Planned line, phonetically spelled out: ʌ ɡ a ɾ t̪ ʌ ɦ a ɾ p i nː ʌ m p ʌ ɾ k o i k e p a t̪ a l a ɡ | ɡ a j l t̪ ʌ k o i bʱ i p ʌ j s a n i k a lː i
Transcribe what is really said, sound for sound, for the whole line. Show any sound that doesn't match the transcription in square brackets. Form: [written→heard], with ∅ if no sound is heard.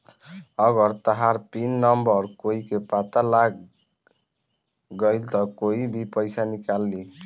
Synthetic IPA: ʌ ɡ [a→ʌ] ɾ t̪ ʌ ɦ a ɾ p i nː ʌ m [p→b] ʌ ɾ k o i k e p a t̪ a l a ɡ | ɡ [a→ʌ] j l t̪ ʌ k o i bʱ i p ʌ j s a n i k a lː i

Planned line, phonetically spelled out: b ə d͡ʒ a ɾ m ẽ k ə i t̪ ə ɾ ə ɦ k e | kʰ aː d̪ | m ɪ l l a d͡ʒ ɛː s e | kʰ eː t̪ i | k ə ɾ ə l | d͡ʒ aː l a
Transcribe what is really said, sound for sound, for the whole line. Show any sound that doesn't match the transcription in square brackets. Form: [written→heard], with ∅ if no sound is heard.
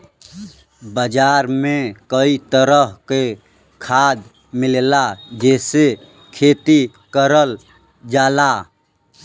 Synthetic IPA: b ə d͡ʒ a ɾ m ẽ k ə i t̪ ə ɾ ə ɦ k e | kʰ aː d̪ | m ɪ l l a d͡ʒ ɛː s e | kʰ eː t̪ i | k ə ɾ ə l | d͡ʒ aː l a

